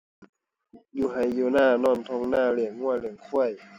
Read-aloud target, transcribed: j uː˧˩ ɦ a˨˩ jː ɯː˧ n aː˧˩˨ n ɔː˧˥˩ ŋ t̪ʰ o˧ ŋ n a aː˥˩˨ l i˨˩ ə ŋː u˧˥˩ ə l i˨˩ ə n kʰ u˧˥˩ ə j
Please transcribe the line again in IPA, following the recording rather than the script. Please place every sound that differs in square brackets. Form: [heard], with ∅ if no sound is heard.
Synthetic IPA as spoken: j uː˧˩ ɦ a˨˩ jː [uː˧] n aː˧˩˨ n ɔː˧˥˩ [n] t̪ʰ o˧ ŋ n a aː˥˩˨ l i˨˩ ə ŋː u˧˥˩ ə l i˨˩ ə [ŋ] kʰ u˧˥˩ ə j